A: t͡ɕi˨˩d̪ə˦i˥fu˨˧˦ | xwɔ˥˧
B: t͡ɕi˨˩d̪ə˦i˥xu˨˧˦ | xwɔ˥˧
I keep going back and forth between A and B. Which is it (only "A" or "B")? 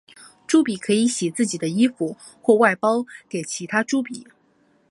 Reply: A